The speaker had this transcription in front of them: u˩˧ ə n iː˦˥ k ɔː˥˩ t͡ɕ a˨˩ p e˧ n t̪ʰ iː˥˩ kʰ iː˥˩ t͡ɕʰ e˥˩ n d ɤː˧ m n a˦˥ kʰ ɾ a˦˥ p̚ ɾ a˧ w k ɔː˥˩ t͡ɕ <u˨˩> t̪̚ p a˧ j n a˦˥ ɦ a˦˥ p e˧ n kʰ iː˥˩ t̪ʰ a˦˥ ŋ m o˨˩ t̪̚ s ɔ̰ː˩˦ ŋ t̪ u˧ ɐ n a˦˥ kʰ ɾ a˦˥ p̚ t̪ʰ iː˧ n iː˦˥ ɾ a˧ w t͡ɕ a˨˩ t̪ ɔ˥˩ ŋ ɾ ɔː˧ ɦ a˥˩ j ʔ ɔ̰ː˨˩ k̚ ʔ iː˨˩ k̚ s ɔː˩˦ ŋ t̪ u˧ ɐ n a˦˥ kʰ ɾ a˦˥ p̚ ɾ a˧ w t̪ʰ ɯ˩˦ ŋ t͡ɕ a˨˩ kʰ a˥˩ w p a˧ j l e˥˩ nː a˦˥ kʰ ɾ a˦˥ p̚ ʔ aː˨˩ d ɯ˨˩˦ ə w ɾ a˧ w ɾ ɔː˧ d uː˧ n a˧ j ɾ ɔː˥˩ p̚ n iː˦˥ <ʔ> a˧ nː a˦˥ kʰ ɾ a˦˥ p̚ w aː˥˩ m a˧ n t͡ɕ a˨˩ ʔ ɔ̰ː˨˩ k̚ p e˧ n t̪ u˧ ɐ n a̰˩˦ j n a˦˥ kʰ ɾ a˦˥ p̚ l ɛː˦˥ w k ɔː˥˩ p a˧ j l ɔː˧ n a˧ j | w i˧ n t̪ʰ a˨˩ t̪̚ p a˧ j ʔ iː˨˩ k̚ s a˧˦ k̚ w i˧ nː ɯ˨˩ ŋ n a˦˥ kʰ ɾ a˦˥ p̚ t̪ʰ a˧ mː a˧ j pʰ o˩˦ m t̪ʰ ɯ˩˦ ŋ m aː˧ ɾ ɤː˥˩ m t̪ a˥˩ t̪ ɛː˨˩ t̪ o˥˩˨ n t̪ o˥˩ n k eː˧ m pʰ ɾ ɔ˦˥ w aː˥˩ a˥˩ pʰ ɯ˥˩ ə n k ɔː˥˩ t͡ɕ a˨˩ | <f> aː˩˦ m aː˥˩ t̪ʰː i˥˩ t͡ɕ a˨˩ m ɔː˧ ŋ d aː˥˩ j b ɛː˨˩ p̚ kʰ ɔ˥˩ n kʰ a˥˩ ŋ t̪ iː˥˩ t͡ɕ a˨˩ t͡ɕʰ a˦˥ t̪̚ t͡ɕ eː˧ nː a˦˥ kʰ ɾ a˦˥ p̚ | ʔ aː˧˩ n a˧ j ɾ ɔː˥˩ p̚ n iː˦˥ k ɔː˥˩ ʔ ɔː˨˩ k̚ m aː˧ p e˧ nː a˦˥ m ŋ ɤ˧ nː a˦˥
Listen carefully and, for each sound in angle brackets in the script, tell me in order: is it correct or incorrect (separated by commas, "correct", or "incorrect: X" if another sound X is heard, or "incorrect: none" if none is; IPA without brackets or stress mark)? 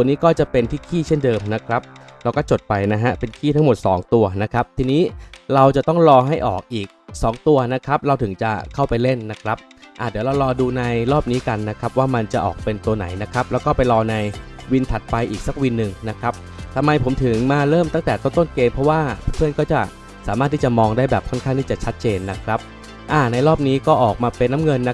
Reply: incorrect: o˨˩, incorrect: k, incorrect: s